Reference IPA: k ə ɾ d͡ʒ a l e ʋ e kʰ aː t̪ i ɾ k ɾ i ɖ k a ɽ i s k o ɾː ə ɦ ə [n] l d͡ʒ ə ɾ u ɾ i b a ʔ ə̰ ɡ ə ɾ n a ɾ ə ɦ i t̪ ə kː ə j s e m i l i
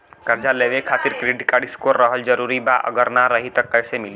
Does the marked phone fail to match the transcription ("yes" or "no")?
yes